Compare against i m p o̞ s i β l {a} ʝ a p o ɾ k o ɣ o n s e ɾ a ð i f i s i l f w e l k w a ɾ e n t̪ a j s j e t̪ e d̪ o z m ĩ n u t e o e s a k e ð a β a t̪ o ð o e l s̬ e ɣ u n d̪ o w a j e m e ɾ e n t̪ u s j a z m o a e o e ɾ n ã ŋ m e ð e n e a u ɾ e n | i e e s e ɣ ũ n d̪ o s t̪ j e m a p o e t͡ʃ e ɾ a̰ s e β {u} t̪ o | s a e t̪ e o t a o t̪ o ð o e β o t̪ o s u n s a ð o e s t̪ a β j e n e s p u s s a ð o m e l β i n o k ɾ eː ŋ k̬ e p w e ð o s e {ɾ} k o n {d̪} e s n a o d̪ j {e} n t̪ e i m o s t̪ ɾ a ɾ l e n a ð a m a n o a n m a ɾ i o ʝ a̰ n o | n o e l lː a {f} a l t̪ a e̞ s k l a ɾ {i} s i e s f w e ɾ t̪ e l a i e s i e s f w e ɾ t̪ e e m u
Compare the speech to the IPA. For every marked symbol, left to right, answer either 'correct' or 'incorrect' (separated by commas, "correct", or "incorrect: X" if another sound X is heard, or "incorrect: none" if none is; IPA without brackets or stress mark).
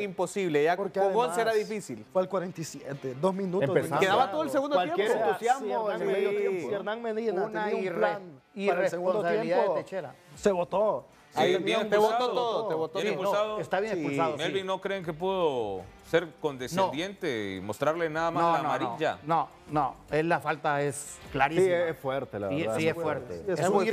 incorrect: e, incorrect: o, correct, correct, correct, correct, correct